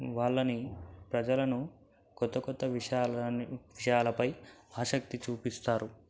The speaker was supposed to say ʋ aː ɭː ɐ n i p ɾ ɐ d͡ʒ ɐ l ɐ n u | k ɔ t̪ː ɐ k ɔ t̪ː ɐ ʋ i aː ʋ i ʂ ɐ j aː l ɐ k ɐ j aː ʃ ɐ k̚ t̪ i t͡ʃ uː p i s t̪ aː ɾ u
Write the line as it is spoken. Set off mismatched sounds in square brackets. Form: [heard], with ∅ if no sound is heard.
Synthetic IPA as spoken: ʋ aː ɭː ɐ n i p ɾ ɐ d͡ʒ ɐ l ɐ n u | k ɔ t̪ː ɐ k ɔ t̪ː ɐ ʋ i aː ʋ i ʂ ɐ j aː l ɐ [p] ɐ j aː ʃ ɐ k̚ t̪ i t͡ʃ uː p i s t̪ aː ɾ u